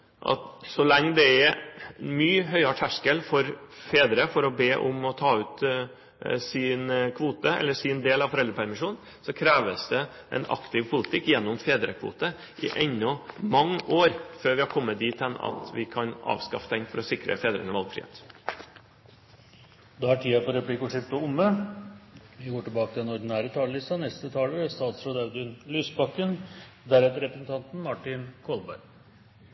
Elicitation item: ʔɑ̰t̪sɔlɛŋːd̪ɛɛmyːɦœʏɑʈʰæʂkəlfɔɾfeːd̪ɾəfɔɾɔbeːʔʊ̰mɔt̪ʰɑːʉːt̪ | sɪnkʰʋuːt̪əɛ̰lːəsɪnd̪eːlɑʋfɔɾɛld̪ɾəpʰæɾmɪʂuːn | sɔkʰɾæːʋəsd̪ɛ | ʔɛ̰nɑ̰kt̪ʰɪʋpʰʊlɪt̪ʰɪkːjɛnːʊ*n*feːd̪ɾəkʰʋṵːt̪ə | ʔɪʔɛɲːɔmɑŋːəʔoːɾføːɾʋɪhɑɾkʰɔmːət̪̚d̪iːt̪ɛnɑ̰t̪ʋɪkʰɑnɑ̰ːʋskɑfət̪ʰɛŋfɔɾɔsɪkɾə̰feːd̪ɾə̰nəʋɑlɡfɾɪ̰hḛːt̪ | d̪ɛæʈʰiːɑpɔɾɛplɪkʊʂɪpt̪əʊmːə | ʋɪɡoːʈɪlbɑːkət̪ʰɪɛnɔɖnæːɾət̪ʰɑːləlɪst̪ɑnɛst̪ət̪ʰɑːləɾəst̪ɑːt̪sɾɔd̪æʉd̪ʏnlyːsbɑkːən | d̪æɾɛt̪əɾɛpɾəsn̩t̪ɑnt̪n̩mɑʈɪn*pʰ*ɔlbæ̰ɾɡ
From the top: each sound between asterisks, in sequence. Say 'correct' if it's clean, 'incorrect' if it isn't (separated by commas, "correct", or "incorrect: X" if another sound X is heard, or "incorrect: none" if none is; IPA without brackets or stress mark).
incorrect: m, incorrect: kʰ